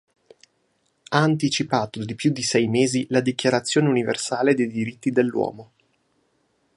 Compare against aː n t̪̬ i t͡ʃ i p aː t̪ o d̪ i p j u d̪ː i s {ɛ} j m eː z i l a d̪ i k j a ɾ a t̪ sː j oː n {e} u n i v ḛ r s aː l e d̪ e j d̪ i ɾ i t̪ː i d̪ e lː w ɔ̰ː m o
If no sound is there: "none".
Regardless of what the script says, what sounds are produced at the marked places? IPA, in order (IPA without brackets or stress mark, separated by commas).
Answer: ɛ, e